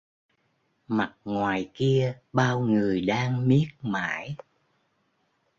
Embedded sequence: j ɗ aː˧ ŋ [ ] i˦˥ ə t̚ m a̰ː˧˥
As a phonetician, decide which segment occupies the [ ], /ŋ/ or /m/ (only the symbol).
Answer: m